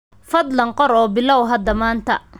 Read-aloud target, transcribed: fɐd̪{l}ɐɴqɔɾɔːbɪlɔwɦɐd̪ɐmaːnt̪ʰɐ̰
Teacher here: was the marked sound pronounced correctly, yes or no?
yes